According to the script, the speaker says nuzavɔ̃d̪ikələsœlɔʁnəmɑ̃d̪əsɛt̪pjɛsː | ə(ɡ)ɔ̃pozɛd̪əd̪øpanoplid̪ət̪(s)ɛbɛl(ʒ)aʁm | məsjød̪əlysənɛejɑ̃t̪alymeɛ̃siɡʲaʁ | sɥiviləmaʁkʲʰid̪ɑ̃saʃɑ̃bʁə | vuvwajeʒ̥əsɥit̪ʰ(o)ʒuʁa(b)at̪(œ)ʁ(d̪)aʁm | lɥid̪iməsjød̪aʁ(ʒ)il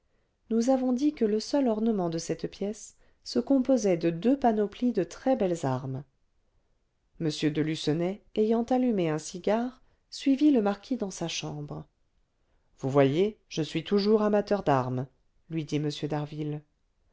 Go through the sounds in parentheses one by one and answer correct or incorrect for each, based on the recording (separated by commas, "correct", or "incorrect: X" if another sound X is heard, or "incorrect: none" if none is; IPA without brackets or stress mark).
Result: incorrect: k, incorrect: χ, incorrect: z, incorrect: u, incorrect: m, correct, correct, incorrect: v